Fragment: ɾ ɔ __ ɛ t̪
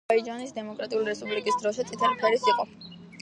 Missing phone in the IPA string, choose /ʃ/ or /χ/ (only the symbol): ʃ